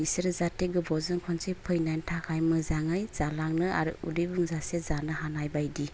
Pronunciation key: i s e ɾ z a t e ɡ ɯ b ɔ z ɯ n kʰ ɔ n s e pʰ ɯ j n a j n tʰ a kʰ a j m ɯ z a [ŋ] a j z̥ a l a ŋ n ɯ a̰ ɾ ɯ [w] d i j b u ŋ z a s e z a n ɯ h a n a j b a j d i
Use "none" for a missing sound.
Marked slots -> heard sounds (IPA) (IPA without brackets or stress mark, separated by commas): ŋ, u